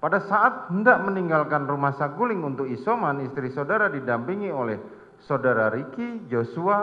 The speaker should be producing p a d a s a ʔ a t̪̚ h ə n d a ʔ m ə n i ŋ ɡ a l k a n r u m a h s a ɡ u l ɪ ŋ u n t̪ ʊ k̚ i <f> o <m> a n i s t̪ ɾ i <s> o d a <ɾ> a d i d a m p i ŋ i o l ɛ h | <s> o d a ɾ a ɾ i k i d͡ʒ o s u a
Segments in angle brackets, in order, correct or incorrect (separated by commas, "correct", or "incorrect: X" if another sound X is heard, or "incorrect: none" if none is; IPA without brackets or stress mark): incorrect: s, correct, correct, correct, correct